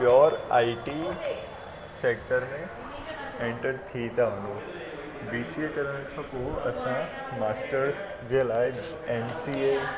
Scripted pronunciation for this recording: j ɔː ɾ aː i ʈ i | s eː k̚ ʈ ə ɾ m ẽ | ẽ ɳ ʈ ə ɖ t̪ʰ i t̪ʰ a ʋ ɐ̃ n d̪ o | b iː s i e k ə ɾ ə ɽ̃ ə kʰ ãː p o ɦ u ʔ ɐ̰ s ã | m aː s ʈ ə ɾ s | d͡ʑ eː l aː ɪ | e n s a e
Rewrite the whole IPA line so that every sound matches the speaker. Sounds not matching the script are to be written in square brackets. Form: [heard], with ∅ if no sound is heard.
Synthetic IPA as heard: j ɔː ɾ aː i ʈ i | s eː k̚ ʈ ə ɾ m ẽ | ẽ ɳ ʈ ə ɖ t̪ʰ i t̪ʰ a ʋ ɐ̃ n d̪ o | b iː s i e k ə ɾ ə ɽ̃ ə kʰ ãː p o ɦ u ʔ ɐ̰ s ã | m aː s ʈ ə ɾ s | d͡ʑ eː l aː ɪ | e n s [i] e